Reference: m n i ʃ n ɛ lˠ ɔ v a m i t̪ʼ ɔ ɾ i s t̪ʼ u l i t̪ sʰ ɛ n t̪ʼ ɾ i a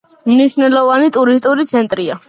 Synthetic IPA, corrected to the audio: m n i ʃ n ɛ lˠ ɔ v a n i t̪ʼ u ɾ i s t̪ʼ u ɾ i t̪ sʰ ɛ n t̪ʼ ɾ i a